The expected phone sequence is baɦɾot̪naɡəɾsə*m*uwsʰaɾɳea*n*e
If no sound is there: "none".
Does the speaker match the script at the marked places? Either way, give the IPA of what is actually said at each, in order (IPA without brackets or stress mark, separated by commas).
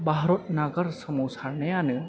m, n